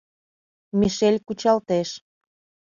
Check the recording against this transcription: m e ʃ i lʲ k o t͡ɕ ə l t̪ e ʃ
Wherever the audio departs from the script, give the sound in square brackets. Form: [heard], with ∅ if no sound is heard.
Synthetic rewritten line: m [i] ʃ [e] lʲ k [u] t͡ɕ [ɑ] l t̪ e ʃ